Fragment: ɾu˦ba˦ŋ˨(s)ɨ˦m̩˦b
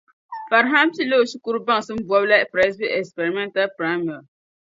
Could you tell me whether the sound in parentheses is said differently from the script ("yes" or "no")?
no